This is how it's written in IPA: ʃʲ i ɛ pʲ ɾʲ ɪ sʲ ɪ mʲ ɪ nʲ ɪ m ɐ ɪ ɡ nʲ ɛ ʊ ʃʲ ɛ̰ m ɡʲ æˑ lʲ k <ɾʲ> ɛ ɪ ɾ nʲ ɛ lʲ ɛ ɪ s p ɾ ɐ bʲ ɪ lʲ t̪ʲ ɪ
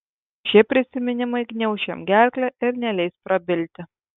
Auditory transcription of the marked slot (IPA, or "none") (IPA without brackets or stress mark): lʲ